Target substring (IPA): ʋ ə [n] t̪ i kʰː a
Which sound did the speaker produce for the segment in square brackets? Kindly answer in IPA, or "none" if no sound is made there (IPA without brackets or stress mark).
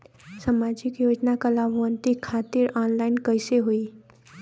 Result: n